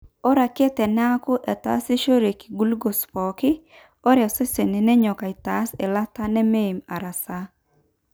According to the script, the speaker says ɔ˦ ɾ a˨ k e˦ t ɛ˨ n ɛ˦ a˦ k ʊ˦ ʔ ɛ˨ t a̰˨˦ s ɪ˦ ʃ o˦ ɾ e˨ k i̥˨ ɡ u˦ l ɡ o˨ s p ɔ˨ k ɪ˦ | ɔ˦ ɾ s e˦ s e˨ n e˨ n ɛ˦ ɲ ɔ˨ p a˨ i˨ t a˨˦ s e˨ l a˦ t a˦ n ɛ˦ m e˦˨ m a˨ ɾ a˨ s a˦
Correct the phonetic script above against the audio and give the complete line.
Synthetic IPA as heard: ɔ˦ ɾ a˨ k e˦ t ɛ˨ n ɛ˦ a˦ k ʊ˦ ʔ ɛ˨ t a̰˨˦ s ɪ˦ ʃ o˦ ɾ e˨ k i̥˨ ɡ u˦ l ɡ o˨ s p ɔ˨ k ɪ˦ | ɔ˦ ɾ s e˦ s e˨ n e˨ n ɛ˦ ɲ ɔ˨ k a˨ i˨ t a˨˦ s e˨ l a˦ t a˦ n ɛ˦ m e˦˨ m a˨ ɾ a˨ s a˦